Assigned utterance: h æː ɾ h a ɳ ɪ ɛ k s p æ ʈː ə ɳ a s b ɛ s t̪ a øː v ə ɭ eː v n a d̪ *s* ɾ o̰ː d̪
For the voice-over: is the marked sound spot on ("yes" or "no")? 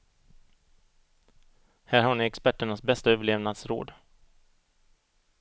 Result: yes